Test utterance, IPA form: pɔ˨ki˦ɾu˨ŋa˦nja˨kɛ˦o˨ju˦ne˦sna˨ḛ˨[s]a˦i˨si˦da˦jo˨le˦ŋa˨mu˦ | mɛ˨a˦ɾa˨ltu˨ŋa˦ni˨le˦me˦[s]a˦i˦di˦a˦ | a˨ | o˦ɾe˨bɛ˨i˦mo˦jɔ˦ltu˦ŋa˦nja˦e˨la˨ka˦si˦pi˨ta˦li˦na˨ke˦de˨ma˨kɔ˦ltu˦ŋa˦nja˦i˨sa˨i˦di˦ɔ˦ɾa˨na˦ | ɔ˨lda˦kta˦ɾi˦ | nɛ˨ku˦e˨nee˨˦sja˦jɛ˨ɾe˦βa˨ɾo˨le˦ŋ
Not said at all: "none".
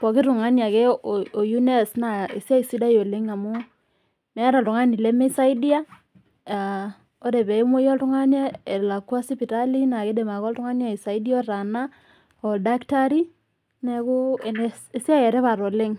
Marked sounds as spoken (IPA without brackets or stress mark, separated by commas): s, s